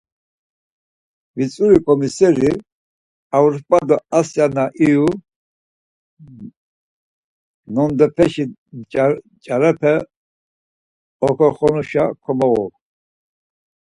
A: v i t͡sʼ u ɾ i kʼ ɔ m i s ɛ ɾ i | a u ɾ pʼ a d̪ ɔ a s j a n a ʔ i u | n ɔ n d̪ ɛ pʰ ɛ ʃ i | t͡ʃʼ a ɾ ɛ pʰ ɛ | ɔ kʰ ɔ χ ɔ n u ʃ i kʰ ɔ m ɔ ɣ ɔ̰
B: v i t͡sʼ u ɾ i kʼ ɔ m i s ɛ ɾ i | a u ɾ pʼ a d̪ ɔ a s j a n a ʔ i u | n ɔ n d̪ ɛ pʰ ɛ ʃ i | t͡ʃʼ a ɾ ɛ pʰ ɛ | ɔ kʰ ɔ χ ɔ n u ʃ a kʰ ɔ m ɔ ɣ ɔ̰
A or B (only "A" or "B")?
B